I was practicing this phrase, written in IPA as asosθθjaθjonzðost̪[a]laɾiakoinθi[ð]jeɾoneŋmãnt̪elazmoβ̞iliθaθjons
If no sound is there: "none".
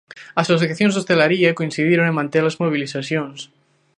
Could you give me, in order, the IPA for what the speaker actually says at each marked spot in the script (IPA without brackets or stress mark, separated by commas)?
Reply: e, ð